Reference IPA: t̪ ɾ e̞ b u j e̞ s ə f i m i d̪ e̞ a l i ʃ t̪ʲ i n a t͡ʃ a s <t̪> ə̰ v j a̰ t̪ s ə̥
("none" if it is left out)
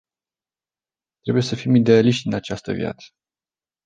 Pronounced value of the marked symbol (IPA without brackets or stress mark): t̪